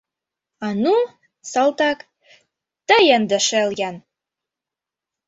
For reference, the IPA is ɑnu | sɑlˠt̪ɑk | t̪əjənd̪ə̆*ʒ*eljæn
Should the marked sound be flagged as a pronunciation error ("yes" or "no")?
yes